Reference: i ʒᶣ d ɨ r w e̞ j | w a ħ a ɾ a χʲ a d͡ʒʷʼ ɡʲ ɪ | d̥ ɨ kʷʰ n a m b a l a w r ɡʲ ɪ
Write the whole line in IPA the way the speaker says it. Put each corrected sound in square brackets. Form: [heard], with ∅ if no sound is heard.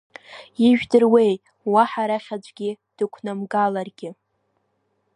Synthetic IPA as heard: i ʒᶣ d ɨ r w e̞ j | w a ħ a ɾ a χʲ a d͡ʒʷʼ ɡʲ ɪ | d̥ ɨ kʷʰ n a m [ɡ] a l a [∅] r ɡʲ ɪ